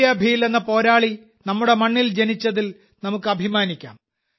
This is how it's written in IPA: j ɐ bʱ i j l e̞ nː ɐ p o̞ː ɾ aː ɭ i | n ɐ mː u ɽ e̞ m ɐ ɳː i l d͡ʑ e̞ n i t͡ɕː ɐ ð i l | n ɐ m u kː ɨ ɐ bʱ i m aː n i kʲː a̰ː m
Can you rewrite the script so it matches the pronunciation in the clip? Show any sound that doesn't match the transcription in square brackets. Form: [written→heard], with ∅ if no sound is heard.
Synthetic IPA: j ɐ bʱ i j l e̞ nː ɐ p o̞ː ɾ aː ɭ i | n ɐ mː u ɽ e̞ m ɐ ɳː i l d͡ʑ e̞ n i t͡ɕː ɐ ð i l | n ɐ m u kː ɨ ɐ bʱ i m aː n i kʲː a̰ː m